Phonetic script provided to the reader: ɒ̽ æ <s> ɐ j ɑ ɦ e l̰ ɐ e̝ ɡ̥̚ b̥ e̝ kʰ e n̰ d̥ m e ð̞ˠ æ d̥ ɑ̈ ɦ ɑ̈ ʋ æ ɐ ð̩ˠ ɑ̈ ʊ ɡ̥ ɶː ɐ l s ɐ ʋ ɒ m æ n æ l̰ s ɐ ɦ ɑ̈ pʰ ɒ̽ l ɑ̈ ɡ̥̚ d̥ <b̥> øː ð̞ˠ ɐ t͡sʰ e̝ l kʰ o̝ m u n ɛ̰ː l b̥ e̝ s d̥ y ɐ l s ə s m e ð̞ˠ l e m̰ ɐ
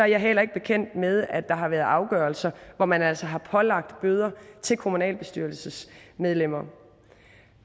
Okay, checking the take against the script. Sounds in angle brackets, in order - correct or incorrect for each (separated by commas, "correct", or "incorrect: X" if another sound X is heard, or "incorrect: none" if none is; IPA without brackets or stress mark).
incorrect: none, correct